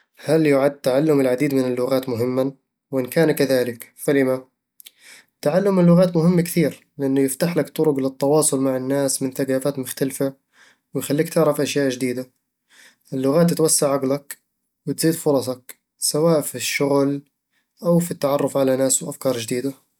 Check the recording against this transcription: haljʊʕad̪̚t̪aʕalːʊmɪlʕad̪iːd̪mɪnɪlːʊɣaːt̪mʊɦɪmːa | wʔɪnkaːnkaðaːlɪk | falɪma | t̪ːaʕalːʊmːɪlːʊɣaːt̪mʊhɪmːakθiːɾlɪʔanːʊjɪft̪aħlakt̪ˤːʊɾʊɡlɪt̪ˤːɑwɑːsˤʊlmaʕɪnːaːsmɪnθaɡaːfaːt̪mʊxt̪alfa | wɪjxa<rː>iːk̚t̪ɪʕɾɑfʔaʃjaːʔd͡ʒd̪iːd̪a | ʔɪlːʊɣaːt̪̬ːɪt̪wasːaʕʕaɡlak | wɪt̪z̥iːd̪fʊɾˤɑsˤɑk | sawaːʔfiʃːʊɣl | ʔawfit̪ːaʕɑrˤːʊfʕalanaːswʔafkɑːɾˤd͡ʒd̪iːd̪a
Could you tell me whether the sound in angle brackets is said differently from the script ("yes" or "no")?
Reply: yes